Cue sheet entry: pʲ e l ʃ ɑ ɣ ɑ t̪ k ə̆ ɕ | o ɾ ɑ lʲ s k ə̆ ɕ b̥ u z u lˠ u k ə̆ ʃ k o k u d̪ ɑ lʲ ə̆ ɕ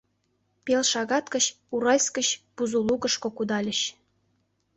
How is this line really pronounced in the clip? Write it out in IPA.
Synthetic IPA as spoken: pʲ e l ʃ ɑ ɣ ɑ t̪ k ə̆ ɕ | u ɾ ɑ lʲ s k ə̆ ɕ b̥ u z u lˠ u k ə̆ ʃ k o k u d̪ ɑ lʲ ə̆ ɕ